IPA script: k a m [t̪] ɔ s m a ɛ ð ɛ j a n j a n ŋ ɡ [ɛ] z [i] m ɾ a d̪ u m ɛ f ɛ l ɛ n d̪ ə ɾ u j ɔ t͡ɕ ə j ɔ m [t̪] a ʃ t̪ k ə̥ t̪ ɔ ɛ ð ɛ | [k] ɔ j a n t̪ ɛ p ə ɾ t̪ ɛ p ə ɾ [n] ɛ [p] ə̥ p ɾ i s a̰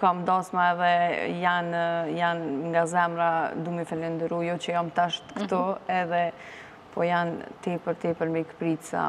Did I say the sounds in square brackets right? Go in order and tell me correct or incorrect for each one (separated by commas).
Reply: incorrect, incorrect, incorrect, correct, incorrect, incorrect, incorrect